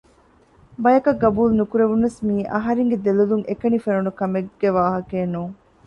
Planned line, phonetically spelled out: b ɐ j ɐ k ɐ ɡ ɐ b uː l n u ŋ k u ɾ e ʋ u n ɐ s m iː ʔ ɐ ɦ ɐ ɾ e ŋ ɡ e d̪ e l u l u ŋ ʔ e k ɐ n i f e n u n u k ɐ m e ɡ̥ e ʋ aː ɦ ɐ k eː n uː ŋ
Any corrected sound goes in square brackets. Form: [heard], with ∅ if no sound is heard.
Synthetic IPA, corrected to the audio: b ɐ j ɐ k ɐ ɡ ɐ b uː l n u [∅] k u ɾ e ʋ u n ɐ s m iː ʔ ɐ ɦ ɐ ɾ e ŋ ɡ e d̪ e l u l u ŋ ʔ e k ɐ n i f e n u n u k ɐ m e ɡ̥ e ʋ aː ɦ ɐ k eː n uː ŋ